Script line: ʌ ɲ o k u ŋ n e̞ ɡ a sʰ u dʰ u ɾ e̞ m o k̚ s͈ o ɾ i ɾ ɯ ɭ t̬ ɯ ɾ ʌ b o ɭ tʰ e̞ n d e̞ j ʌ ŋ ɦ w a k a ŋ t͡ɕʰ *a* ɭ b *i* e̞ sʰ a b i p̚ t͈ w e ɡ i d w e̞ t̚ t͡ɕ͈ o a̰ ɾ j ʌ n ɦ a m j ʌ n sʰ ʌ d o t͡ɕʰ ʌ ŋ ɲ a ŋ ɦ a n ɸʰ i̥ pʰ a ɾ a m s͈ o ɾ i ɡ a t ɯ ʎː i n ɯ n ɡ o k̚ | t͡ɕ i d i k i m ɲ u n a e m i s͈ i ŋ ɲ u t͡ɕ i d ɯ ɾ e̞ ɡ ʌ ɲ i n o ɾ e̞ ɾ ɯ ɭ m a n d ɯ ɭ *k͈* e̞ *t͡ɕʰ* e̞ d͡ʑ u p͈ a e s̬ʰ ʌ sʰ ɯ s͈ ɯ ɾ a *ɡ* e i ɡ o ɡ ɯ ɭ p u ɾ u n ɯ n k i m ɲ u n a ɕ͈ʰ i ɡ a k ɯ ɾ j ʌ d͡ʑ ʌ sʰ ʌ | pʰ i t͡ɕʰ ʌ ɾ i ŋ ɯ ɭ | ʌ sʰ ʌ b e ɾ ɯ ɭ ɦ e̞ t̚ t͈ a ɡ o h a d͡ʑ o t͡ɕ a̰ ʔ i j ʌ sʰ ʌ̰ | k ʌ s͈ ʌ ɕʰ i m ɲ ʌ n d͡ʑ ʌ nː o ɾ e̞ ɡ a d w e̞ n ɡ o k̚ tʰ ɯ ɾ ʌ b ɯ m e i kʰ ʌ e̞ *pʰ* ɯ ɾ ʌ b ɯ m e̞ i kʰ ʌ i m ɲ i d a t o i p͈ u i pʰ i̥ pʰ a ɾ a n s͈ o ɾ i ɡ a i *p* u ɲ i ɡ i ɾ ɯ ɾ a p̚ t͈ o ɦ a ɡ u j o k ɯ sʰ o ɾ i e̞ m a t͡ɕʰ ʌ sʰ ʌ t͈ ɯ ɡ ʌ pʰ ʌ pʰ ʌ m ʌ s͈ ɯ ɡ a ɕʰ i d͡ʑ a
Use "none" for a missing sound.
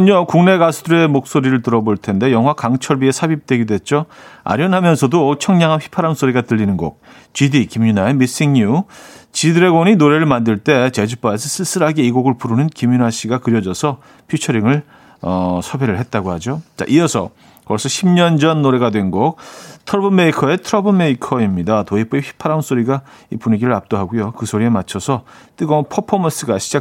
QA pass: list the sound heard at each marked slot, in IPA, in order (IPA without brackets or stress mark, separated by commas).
ʌ, i, t͈, t͡ɕ, ɡ, tʰ, p